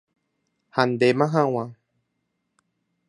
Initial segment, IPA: h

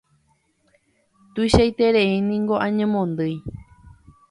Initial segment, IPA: t̪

